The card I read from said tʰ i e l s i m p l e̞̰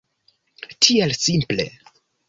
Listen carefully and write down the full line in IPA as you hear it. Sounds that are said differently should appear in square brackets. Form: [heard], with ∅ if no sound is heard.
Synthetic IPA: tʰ i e l s i m p l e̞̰